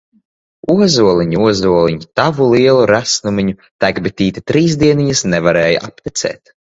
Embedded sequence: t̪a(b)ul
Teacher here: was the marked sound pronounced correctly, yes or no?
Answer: no